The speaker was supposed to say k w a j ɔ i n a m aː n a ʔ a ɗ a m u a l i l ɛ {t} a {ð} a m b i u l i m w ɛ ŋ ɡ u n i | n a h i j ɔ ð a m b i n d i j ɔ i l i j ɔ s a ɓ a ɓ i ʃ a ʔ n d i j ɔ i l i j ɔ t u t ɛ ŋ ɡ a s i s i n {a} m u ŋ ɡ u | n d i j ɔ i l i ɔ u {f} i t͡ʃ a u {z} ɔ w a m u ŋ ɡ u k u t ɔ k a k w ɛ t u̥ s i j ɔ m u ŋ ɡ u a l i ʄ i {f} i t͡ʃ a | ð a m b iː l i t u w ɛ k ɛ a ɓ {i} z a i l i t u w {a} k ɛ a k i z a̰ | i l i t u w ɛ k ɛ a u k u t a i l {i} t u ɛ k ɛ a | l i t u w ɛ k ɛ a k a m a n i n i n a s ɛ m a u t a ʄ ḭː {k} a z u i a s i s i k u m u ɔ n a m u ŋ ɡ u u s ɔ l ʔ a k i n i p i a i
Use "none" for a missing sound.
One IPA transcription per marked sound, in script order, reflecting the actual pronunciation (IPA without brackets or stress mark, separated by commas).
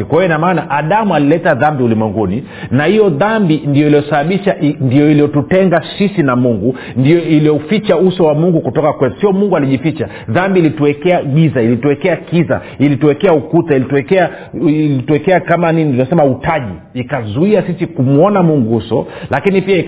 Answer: t, ð, a, f, s, f, i, ɛ, i, k